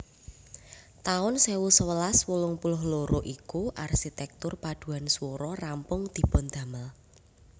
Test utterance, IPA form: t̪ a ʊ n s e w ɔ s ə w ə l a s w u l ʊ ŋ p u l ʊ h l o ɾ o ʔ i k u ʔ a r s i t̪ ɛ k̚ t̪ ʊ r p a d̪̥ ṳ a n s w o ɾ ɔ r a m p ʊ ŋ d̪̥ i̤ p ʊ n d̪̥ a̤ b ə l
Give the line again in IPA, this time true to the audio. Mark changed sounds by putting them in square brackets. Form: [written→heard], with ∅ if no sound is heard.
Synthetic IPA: t̪ a ʊ n s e w [ɔ→u] s ə w ə l a s w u l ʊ ŋ p u l ʊ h l o ɾ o ʔ i k u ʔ a r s i t̪ ɛ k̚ t̪ ʊ r p a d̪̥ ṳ a n s w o ɾ ɔ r a m p ʊ ŋ d̪̥ i̤ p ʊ n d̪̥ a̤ [b→m] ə l